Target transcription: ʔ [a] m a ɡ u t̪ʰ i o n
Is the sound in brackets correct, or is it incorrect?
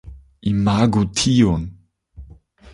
incorrect